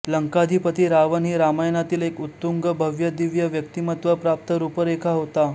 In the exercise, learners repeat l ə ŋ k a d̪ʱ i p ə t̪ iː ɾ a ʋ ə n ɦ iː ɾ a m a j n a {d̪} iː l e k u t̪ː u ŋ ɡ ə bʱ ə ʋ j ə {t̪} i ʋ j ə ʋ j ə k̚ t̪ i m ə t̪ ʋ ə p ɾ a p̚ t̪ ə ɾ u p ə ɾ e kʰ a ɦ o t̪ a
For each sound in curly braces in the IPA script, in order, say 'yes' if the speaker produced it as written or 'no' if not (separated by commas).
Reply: no, no